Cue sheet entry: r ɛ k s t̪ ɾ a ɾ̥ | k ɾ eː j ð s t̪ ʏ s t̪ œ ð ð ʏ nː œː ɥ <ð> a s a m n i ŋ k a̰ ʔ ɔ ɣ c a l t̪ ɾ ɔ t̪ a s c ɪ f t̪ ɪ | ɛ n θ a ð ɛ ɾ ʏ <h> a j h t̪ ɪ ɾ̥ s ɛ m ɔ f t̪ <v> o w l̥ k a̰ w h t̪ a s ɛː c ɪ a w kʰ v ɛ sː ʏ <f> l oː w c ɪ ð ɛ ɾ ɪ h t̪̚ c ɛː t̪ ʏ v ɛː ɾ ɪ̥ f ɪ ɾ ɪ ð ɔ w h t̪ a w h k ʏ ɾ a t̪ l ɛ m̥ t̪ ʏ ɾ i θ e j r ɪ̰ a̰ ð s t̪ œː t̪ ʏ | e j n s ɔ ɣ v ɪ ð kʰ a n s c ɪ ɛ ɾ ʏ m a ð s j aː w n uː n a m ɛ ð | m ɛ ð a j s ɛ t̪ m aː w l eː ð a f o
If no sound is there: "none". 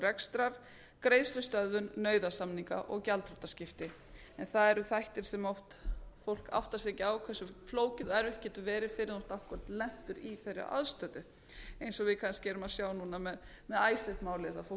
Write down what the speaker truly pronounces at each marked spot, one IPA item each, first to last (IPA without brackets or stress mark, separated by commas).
ð, θ, f, f